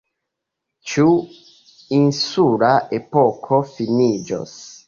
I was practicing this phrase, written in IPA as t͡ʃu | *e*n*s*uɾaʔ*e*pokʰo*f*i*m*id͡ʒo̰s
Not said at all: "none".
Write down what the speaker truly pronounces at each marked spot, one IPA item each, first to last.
i, s, e, f, n

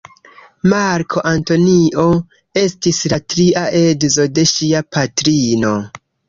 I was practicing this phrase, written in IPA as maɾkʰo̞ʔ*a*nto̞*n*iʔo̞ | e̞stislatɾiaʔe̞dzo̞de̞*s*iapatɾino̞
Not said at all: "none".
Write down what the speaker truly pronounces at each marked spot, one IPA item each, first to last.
a, n, ʃ

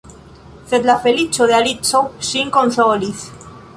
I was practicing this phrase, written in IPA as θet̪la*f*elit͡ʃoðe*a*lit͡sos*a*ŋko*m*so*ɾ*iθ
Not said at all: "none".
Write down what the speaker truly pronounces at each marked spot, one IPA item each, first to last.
f, a, i, n, l

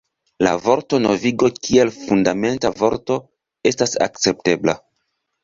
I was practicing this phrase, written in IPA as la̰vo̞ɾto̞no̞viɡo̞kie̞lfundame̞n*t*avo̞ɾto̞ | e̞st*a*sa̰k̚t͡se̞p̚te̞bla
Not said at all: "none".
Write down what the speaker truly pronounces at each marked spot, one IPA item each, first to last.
t, a

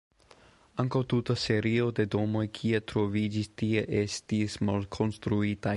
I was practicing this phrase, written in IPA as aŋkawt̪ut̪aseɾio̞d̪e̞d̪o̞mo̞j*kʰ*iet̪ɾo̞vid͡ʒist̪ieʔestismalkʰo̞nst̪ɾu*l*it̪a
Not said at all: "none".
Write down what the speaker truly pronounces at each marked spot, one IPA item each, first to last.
kʰ, none

